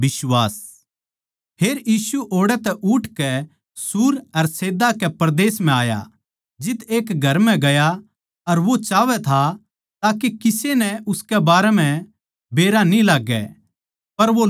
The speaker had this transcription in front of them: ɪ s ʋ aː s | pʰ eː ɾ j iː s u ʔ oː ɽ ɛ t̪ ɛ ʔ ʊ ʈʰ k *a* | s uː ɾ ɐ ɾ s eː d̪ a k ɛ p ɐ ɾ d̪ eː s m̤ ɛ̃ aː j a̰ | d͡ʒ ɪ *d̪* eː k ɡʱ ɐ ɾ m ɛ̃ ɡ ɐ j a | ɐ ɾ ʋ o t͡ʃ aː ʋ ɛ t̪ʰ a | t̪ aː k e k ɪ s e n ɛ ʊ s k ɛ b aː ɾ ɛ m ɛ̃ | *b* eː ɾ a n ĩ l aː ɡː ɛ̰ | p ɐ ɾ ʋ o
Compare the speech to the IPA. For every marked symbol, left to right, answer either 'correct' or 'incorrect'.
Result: incorrect, incorrect, correct

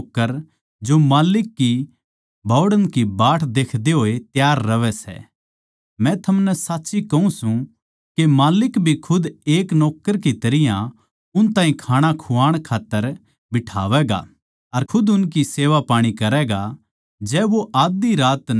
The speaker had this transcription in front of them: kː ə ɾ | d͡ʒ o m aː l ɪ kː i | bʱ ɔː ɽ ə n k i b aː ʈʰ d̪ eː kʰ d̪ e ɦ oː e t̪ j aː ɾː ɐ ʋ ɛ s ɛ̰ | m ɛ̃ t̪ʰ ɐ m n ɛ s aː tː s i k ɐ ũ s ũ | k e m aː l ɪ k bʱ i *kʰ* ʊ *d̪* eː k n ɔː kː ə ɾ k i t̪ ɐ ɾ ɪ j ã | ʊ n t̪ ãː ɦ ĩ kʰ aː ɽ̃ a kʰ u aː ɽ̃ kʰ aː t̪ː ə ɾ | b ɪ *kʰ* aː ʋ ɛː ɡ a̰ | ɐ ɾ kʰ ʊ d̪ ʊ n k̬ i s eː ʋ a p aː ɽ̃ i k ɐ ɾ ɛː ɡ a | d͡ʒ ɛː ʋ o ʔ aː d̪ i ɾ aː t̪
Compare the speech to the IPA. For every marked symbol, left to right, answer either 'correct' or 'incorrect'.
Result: correct, correct, incorrect

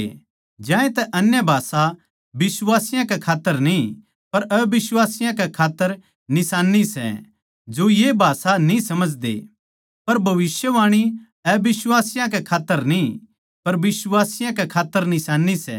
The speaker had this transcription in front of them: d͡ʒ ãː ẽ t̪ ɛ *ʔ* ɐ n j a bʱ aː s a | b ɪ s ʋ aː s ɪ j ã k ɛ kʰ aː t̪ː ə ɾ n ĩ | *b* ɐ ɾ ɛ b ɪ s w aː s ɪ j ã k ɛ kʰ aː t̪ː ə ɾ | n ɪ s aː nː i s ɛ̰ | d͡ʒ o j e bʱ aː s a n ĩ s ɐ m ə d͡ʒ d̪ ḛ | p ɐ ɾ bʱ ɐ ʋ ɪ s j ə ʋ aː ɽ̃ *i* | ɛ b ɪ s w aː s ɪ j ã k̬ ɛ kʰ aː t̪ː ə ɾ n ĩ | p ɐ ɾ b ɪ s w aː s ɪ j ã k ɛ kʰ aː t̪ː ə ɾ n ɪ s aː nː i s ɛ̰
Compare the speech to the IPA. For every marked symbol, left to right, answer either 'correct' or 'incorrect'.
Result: correct, incorrect, correct

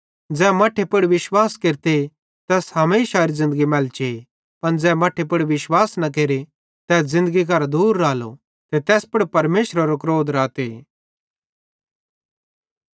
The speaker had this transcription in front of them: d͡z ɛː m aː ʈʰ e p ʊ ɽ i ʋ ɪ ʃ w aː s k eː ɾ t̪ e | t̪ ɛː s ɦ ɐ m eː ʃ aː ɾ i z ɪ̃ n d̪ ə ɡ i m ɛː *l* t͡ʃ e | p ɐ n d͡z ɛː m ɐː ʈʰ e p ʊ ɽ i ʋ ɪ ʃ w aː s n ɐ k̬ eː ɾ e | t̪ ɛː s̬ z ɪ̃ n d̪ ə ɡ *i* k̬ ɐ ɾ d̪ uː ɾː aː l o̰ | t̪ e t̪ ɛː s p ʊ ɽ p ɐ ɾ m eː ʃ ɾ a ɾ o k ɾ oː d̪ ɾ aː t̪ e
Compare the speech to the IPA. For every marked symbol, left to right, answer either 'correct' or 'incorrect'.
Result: correct, correct

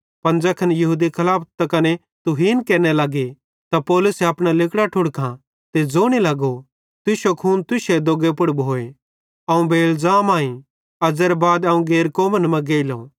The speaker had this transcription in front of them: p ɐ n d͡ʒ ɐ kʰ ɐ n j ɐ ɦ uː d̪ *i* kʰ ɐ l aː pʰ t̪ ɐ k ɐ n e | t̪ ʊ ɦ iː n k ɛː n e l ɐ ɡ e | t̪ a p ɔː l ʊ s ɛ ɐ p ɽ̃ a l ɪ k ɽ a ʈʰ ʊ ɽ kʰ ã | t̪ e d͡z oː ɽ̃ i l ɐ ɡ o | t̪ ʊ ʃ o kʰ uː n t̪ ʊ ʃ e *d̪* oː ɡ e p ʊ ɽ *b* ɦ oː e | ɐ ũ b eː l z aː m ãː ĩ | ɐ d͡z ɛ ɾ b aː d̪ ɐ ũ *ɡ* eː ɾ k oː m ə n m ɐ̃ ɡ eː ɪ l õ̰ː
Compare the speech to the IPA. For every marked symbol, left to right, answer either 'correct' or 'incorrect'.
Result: correct, correct, correct, correct

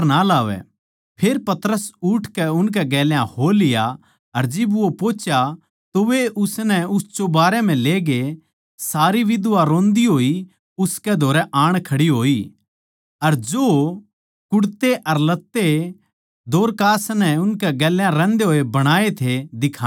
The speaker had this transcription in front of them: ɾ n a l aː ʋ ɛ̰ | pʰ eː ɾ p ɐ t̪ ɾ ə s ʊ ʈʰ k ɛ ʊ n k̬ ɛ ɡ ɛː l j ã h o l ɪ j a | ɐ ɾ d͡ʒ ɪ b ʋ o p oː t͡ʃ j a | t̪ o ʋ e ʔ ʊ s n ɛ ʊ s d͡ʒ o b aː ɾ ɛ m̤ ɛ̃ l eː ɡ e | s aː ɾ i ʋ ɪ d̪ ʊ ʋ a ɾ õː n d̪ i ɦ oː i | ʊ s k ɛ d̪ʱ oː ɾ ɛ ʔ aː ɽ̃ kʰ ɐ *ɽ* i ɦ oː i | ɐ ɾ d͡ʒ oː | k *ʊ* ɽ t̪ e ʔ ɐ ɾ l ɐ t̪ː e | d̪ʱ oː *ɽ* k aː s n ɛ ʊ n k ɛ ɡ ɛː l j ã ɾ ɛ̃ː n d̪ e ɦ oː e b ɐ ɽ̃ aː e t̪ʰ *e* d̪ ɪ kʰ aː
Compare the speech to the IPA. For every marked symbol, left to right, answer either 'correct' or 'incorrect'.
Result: correct, correct, incorrect, correct

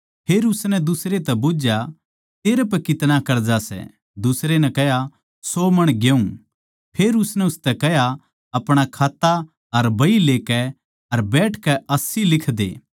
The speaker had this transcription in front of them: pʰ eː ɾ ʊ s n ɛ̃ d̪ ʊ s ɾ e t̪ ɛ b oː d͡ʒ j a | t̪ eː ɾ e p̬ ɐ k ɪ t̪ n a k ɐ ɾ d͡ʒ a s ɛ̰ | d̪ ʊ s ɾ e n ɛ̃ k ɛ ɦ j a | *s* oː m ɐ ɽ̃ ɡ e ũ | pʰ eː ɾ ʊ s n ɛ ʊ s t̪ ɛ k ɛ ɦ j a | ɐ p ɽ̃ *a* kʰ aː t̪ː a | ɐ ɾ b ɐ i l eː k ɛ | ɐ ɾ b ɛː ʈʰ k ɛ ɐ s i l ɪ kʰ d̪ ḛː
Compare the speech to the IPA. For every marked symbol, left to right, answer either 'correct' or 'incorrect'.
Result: correct, correct

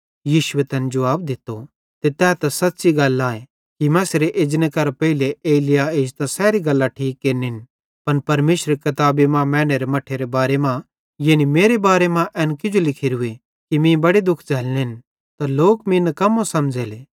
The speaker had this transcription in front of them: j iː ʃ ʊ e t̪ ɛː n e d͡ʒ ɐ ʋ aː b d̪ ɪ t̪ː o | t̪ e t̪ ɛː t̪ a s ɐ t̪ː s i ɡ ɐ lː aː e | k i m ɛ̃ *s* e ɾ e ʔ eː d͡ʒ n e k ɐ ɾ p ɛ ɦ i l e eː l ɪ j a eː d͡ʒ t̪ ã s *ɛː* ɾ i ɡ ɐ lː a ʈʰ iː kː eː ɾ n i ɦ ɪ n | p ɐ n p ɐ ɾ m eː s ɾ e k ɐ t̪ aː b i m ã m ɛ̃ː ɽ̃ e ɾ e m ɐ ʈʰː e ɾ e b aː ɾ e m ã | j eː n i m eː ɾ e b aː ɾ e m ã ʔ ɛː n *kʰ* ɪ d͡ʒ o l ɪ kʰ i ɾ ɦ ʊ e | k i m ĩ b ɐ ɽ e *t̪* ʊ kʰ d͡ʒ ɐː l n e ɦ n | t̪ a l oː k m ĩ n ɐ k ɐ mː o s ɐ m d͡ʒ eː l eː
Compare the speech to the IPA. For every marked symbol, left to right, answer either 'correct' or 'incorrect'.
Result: correct, correct, incorrect, incorrect

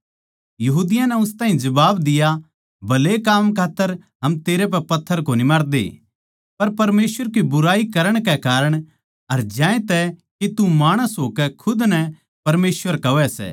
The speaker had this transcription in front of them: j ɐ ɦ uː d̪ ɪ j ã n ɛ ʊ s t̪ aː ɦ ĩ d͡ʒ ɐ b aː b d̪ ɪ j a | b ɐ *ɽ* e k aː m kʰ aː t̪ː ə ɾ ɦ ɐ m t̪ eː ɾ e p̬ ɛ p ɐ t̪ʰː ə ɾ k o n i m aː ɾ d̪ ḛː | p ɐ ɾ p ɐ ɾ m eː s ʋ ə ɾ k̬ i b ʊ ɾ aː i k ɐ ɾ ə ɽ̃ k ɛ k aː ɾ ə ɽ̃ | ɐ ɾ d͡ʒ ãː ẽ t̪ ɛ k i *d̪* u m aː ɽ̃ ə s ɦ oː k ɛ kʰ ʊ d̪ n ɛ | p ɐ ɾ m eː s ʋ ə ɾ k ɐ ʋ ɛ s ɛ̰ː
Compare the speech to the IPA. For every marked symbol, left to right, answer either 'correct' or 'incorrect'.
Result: incorrect, incorrect

